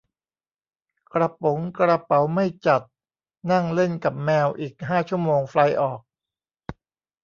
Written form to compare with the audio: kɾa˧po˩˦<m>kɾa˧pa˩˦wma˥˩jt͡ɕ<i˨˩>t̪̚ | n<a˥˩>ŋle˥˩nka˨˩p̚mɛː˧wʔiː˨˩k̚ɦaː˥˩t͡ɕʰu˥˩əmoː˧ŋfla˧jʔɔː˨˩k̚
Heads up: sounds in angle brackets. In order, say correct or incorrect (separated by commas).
incorrect, incorrect, correct